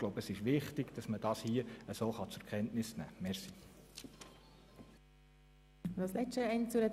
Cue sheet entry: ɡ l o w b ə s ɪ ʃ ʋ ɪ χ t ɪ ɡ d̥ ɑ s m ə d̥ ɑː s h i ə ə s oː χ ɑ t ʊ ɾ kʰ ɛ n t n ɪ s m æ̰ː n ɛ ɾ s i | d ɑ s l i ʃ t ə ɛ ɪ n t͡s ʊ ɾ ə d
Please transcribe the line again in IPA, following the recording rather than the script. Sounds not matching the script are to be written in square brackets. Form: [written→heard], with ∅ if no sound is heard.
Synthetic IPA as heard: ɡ l o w b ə s ɪ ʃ ʋ ɪ χ t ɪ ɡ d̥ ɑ s m ə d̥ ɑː s h i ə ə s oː χ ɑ [t→t͡s] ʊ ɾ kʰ ɛ n t n ɪ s [m→n] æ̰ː [n→m] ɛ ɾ s i | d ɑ s l [i→ɛ] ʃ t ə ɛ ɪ n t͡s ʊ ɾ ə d